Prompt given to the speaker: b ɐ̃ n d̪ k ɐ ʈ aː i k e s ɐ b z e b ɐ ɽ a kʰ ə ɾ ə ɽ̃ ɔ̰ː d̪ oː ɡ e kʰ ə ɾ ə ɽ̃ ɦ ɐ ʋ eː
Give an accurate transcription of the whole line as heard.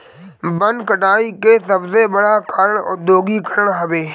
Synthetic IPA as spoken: b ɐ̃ n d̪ k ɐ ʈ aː i k e s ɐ b z e b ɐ ɽ a kʰ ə ɾ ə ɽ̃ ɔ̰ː d̪ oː ɡ i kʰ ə ɾ ə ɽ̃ ɦ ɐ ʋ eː